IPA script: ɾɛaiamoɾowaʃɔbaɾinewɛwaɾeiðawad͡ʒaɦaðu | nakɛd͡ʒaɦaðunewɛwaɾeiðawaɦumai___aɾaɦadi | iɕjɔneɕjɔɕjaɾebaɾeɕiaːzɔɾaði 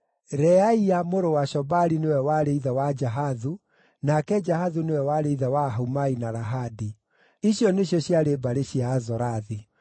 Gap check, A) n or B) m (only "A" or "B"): A